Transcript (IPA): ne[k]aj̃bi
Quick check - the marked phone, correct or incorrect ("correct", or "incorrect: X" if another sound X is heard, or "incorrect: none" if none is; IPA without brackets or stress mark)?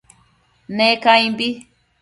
correct